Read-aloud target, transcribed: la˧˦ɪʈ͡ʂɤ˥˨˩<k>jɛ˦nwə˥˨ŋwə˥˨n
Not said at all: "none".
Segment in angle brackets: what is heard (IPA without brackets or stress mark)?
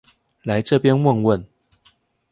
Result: p